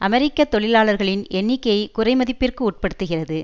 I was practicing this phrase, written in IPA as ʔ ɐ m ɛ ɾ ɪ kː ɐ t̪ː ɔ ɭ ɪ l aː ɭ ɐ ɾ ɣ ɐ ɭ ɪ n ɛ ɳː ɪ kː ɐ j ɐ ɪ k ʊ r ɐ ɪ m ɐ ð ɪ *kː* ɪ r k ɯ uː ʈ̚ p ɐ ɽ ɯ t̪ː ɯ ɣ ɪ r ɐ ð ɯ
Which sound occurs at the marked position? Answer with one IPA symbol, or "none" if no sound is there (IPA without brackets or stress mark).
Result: pː